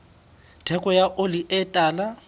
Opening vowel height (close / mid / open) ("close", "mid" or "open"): mid